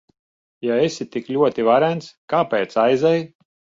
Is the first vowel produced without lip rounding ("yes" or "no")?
yes